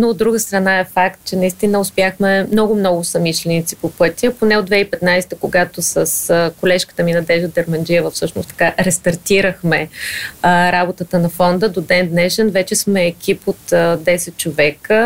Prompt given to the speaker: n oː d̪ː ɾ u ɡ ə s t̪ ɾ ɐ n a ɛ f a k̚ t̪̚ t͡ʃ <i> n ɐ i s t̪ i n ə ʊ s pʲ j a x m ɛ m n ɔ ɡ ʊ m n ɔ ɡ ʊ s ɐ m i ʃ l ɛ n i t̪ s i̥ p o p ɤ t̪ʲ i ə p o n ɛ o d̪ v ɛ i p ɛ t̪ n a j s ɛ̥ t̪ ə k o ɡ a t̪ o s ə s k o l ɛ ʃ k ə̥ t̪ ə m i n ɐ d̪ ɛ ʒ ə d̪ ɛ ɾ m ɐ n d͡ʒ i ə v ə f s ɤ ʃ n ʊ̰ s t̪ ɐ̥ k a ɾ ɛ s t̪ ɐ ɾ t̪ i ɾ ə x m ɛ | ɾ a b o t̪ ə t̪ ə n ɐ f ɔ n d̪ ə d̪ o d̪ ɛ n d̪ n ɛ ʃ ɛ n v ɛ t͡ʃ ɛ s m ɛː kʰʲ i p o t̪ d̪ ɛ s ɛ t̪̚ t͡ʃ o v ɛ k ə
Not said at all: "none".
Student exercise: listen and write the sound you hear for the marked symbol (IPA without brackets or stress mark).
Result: ɛ